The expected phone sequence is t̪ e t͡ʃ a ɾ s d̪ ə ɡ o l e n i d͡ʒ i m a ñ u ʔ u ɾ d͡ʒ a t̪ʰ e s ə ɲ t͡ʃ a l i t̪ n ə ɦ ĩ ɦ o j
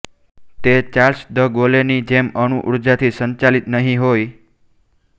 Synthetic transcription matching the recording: t̪ e t͡ʃ a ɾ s d̪ ə ɡ o l e n i d͡ʒ e m ə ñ u ʔ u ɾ d͡ʒ a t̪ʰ i s ə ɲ t͡ʃ a l i t̪ n ə ɦ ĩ ɦ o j